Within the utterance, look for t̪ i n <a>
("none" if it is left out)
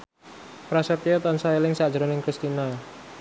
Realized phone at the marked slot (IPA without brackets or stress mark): a